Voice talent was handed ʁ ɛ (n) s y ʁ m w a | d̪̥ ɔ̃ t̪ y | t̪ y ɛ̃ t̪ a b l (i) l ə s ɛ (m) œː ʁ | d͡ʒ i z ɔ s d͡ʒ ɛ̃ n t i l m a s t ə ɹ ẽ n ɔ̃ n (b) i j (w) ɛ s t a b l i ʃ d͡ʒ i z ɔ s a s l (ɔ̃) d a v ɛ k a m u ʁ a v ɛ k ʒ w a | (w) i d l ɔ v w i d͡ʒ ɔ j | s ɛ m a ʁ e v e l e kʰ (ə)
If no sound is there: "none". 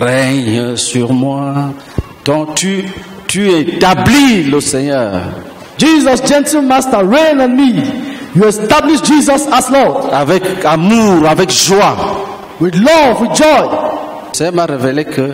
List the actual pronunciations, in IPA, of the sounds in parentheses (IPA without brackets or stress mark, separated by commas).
ɲ, i, ɲ, m, u, ɔ, w, ə